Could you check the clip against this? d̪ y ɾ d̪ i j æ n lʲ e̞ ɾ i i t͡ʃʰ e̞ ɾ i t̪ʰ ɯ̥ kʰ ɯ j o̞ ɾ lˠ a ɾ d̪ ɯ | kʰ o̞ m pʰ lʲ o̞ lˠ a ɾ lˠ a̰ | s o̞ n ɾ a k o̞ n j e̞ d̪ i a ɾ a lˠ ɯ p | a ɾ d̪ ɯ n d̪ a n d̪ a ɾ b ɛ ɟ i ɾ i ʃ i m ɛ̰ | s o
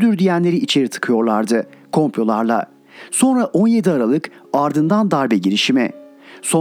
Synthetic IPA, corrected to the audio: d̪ y ɾ d̪ i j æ n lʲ e̞ ɾ i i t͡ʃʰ e̞ ɾ i t̪ʰ ɯ̥ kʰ ɯ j o̞ ɾ lˠ a ɾ d̪ ɯ | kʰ o̞ m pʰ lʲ o̞ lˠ a ɾ lˠ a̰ | s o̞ n ɾ a ʔ o̞ n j e̞ d̪ i a ɾ a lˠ ɯ k | a ɾ d̪ ɯ n d̪ a n d̪ a ɾ b ɛ ɟ i ɾ i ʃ i m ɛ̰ | s o